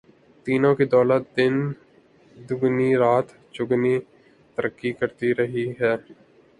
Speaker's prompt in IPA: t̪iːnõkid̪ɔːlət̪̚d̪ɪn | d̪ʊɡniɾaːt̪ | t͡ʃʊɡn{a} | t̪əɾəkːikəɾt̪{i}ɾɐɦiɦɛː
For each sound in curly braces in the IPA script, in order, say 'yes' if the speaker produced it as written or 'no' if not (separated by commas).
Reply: no, yes